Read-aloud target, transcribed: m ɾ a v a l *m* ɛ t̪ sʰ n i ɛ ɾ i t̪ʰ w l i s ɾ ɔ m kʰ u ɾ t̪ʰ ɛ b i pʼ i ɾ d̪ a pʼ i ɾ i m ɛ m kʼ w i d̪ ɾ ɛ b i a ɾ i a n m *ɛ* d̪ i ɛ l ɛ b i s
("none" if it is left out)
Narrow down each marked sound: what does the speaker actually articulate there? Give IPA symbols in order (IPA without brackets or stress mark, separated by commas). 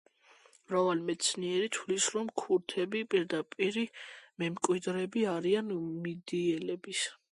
m, i